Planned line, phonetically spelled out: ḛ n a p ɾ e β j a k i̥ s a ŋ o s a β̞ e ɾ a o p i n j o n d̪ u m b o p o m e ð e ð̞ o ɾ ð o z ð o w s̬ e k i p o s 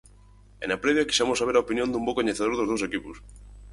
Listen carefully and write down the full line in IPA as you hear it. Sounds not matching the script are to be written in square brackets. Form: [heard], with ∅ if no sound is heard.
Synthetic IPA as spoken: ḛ n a p ɾ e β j a k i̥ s a [m] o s a β̞ e ɾ a o p i n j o n d̪ u m b o [k] o [ɲ] e [θ] e ð̞ o ɾ ð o z ð o w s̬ e k i p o s